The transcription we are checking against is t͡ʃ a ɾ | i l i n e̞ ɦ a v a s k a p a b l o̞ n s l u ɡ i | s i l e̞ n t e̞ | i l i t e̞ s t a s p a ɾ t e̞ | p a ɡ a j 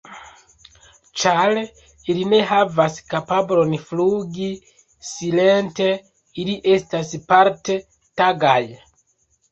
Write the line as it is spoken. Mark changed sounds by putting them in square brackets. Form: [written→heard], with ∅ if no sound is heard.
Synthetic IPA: t͡ʃ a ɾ | i l i n e̞ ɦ a v a s k a p a b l o̞ n [s→f] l u ɡ i | s i l e̞ n t e̞ | i l i [t→ʔ] e̞ s t a s p a ɾ t e̞ | [p→t] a ɡ a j